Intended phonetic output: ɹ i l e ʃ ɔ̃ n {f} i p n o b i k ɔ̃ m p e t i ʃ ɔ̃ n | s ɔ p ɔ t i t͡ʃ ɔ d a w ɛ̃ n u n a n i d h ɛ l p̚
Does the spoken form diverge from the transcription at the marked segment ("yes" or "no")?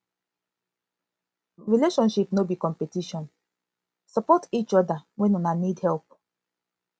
yes